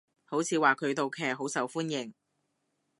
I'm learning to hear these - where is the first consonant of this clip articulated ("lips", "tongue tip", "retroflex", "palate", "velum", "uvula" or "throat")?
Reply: throat